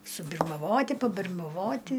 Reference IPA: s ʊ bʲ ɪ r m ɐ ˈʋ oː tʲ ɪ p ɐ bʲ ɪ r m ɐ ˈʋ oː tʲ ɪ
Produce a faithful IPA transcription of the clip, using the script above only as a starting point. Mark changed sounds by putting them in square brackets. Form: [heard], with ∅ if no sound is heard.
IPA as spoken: s ʊ bʲ ɪ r m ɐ ˈʋ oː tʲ ɪ p ɐ bʲ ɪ r m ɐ ˈʋ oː tʲ ɪ